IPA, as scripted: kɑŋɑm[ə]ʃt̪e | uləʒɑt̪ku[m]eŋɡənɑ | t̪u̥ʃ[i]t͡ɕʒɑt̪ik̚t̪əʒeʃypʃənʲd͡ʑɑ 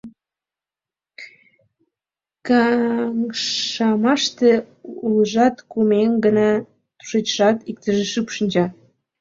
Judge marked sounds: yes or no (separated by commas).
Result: no, yes, no